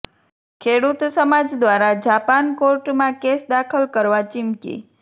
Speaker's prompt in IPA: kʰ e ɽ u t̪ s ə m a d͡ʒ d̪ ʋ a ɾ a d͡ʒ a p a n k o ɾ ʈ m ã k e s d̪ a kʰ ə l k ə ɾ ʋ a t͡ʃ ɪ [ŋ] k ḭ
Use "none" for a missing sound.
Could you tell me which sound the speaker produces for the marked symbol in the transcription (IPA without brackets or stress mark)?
m